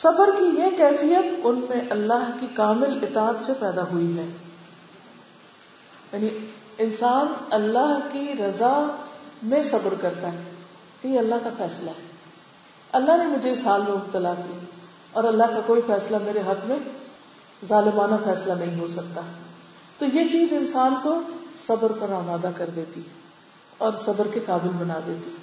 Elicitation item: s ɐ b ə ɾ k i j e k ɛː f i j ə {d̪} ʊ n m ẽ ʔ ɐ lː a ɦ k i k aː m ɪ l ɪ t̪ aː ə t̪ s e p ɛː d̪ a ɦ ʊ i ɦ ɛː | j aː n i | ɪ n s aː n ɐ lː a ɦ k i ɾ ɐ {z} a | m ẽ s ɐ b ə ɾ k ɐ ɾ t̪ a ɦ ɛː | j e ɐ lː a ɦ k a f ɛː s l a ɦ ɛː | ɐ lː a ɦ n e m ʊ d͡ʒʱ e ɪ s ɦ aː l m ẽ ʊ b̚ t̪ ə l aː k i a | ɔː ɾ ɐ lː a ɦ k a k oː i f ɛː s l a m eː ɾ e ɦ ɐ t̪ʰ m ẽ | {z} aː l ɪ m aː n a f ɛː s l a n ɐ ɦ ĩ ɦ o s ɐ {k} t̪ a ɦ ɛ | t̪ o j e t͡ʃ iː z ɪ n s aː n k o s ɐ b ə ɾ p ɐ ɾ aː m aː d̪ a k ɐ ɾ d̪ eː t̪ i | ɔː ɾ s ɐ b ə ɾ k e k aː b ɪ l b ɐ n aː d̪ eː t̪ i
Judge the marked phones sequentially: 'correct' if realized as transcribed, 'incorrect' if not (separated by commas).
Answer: incorrect, correct, correct, correct